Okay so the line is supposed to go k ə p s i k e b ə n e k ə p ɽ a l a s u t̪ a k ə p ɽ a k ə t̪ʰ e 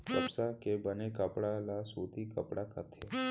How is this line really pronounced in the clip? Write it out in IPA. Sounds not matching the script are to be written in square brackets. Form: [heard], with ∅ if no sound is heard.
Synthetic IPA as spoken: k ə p s [a] k e b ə n e k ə p ɽ a l a s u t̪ [i] k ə p ɽ a k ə t̪ʰ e